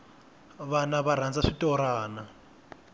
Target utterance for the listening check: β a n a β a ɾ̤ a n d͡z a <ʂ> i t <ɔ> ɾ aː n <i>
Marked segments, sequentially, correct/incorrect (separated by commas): correct, correct, incorrect